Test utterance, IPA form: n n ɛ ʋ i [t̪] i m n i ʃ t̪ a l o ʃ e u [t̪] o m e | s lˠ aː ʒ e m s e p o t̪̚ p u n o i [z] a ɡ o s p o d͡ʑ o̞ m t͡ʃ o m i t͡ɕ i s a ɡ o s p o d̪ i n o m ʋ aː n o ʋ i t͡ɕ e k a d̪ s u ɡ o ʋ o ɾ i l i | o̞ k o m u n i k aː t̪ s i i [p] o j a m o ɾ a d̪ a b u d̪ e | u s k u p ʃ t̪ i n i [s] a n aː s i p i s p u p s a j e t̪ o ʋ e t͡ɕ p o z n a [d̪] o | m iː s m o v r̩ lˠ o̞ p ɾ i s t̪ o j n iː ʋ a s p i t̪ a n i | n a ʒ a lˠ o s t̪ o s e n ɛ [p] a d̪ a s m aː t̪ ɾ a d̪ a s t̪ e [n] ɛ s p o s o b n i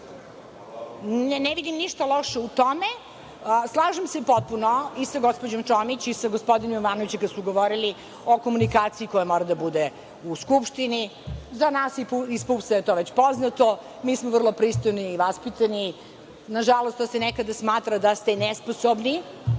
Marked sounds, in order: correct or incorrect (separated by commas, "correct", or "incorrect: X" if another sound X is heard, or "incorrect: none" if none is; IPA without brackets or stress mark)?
incorrect: d̪, correct, incorrect: s, incorrect: k, incorrect: z, incorrect: t̪, incorrect: k, correct